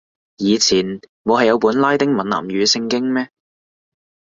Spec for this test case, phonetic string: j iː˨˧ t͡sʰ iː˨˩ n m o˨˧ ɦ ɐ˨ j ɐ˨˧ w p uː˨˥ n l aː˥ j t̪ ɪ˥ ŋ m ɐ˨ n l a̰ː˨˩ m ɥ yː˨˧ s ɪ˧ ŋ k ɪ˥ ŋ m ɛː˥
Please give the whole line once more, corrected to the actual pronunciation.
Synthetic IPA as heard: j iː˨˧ t͡sʰ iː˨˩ n m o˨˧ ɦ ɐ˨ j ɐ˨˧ w p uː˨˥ n l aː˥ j t̪ ɪ˥ ŋ m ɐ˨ n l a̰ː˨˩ m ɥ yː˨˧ s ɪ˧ ŋ k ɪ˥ ŋ m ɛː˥

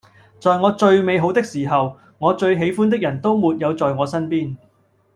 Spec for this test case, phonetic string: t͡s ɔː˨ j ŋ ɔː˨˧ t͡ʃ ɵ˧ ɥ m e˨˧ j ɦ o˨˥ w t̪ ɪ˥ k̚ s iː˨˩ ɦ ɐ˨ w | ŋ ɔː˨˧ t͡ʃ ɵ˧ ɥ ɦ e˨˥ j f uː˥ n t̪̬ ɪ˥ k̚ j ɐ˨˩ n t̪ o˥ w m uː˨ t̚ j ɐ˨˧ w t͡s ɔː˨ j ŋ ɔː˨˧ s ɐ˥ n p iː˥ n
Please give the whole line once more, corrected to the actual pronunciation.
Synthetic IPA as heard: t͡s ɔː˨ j ŋ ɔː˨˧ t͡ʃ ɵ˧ ɥ m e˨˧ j ɦ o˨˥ w t̪ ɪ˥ k̚ s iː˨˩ ɦ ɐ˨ w | ŋ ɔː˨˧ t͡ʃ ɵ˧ ɥ ɦ e˨˥ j f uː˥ n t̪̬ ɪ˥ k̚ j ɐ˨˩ n t̪ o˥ w m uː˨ t̚ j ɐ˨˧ w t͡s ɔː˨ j ŋ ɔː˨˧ s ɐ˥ n p iː˥ n

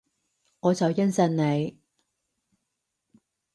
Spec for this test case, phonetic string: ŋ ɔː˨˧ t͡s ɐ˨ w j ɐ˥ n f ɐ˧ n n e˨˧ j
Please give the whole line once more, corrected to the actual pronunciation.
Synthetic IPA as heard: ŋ ɔː˨˧ t͡s ɐ˨ w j ɐ˥ n s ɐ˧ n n e˨˧ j

